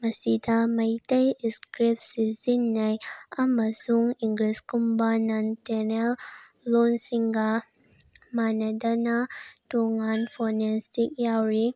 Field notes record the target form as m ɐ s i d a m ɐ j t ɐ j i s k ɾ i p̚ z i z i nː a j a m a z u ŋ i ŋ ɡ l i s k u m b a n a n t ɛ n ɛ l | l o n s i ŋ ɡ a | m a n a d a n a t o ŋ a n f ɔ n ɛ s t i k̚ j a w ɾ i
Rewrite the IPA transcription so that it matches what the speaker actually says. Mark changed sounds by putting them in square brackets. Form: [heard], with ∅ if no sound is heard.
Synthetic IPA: m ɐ s i d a m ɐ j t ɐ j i s k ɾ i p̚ [s] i z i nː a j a m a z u ŋ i ŋ ɡ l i s k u m b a n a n t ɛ n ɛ l | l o n s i ŋ ɡ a | m a n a d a n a t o ŋ a n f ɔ n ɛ s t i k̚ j a w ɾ i